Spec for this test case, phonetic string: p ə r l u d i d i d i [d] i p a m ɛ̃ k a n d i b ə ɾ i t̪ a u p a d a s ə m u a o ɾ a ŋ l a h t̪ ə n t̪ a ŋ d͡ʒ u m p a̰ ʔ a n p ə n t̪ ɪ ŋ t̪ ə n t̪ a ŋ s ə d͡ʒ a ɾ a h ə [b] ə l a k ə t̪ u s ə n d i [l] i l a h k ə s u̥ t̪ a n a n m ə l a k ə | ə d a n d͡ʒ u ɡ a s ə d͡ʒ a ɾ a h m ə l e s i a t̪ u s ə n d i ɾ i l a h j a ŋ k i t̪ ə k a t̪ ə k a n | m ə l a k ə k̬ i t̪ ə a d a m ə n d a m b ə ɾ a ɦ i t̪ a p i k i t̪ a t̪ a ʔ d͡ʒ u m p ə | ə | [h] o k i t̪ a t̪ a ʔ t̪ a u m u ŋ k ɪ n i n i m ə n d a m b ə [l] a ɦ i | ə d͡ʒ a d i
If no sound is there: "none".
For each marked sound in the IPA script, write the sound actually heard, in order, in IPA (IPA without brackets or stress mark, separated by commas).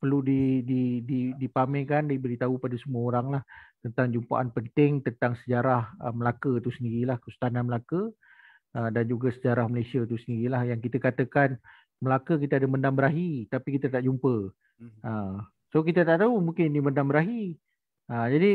d, m, ɾ, s, ɾ